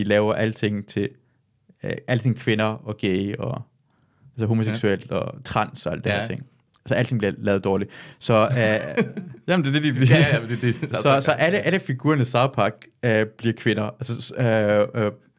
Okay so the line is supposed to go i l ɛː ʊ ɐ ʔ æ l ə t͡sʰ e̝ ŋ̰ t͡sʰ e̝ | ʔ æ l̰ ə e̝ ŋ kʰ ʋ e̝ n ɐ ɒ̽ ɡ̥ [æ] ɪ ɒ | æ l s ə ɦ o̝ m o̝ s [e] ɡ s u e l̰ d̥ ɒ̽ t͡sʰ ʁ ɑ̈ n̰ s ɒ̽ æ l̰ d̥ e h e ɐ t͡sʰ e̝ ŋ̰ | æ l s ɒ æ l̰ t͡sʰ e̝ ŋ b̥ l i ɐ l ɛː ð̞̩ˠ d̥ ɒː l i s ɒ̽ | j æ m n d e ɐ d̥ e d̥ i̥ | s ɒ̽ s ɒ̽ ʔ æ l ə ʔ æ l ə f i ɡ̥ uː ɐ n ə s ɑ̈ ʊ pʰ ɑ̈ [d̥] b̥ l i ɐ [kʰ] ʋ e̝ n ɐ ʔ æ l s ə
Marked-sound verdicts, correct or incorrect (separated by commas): incorrect, correct, incorrect, correct